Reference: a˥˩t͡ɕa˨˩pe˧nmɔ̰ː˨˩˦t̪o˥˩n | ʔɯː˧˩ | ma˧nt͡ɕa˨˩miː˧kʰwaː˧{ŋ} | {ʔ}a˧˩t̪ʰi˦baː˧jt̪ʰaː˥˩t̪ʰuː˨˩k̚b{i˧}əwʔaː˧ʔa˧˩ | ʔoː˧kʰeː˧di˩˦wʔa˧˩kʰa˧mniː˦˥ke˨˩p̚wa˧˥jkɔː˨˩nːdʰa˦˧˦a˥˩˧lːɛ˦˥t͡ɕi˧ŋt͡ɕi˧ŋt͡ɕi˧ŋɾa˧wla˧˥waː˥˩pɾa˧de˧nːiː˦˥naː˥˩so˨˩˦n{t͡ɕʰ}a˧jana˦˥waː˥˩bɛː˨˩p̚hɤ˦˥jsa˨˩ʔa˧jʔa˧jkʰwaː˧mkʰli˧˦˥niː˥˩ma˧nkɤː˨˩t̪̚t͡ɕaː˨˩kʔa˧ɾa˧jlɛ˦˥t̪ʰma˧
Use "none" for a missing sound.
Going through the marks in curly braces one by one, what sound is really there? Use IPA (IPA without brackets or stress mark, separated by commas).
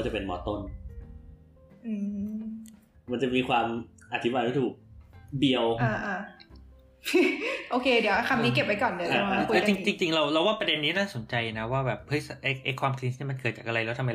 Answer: m, ʔ, i˧, t͡ɕ